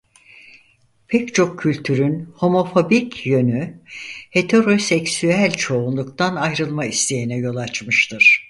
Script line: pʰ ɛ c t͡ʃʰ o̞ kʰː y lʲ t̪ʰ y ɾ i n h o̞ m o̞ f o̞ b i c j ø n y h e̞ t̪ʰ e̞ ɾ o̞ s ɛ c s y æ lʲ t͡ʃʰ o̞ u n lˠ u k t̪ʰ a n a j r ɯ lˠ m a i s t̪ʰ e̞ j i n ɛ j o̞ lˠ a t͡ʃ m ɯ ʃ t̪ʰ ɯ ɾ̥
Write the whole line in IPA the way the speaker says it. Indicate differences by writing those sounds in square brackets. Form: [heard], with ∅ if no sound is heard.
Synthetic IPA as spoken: pʰ ɛ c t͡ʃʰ o̞ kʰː y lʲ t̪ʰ y ɾ [y] n h o̞ m o̞ f o̞ b i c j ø n y h e̞ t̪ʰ e̞ ɾ o̞ s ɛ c s y æ lʲ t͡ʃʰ o̞ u n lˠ u k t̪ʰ a n a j [ɾ] ɯ lˠ m a i s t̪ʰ e̞ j i n ɛ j o̞ lˠ a t͡ʃ m ɯ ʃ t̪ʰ ɯ ɾ̥